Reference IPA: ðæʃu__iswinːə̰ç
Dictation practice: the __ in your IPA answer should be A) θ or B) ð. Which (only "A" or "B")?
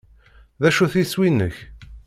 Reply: A